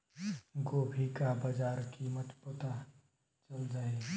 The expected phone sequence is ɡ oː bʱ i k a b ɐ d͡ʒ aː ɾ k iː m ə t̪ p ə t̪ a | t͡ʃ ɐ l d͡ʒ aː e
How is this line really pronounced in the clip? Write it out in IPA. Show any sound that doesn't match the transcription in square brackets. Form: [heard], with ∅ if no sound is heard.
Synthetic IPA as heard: ɡ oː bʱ i k a b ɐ d͡ʒ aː ɾ k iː m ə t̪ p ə t̪ a | t͡ʃ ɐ l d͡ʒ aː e